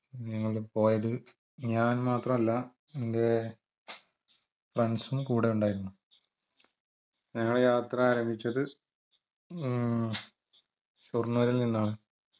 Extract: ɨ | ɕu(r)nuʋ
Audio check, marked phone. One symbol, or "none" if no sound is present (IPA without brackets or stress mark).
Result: r